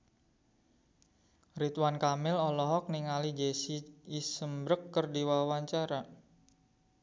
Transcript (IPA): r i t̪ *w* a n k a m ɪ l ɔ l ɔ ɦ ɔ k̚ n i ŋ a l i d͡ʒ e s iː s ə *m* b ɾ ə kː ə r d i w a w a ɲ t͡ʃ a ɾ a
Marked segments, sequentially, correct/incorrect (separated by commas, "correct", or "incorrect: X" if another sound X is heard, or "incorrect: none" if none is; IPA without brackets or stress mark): correct, correct